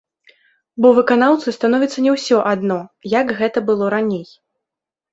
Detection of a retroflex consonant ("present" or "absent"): absent